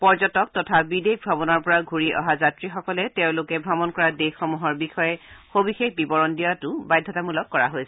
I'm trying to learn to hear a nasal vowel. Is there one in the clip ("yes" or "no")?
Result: yes